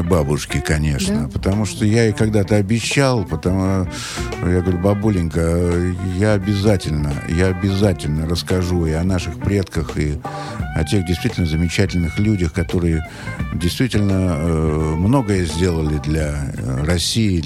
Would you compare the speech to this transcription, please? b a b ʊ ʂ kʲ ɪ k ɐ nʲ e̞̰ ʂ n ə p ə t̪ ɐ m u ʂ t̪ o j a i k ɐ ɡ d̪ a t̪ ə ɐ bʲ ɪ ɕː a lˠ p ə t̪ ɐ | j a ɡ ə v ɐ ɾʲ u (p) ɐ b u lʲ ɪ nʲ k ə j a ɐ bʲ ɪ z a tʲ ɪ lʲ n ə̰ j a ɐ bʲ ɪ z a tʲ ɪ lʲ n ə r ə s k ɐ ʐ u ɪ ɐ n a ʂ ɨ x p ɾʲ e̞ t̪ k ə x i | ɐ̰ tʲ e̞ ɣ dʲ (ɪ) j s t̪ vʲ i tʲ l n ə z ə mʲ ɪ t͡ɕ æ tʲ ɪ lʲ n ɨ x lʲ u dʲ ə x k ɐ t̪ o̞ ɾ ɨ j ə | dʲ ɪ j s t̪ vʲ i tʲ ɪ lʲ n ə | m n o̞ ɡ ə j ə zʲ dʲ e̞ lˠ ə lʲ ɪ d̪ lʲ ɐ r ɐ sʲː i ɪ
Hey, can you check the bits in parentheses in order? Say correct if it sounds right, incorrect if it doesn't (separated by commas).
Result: incorrect, correct